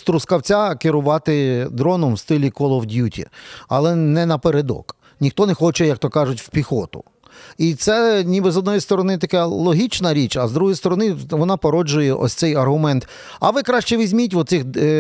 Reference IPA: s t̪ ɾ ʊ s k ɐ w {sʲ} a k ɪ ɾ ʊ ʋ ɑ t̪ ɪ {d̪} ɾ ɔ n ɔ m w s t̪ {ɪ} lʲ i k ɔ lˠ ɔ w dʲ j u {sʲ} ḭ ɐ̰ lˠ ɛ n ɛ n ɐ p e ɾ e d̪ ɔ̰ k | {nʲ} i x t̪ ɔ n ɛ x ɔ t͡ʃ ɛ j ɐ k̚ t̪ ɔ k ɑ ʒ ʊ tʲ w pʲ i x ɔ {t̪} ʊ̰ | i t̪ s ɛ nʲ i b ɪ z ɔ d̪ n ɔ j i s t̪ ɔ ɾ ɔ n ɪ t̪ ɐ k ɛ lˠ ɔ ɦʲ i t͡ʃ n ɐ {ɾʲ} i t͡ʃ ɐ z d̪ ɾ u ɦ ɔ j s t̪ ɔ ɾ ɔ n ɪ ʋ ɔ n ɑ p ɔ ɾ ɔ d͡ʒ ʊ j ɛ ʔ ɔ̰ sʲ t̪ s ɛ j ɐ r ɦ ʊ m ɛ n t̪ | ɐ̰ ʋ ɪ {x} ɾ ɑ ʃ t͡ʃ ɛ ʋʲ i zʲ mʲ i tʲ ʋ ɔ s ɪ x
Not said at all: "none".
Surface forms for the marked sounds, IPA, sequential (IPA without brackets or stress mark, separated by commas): t͡sʲ, d̪, ɪ, tʲ, nʲ, t̪, ɾʲ, k